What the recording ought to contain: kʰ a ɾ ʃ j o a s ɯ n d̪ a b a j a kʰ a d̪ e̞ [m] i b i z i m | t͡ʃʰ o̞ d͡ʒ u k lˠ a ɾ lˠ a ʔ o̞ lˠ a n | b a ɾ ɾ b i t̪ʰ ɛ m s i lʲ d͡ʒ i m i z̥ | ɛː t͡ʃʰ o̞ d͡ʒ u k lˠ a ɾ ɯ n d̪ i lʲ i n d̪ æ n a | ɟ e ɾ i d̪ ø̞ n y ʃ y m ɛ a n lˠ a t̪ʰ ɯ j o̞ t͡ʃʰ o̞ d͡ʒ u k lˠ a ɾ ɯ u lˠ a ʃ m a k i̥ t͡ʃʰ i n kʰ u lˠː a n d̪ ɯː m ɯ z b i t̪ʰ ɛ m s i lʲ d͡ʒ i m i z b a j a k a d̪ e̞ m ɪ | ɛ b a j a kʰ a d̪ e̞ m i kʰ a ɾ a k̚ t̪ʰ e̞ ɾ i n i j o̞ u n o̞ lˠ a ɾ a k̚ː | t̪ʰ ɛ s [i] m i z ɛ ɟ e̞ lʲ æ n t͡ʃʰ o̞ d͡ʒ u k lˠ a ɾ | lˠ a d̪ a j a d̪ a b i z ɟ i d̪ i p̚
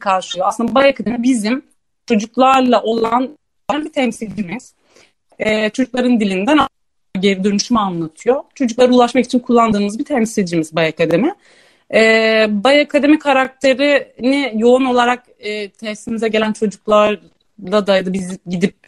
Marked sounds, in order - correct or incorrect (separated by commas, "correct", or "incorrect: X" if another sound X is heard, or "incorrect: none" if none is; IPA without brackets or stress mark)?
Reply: correct, correct